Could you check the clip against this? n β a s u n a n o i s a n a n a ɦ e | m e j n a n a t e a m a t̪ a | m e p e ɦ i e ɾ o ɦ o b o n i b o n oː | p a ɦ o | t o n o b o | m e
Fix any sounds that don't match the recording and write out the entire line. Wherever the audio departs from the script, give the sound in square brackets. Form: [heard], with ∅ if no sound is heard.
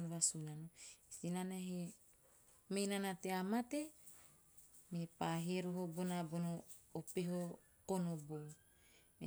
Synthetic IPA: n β a s u n a n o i s [i] n a n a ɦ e | m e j n a n a t e a m a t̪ [e] | m e p [a] ɦ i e ɾ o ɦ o b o n [a] b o n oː | p [e] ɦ o | [k] o n o b o | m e